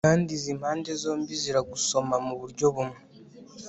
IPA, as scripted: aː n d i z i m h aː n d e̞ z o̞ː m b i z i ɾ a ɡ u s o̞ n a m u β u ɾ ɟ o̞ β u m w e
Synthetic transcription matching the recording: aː n d i z i m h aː n d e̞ z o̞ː m b i z i ɾ a ɡ u s o̞ m a m u β u ɾ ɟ o̞ β u m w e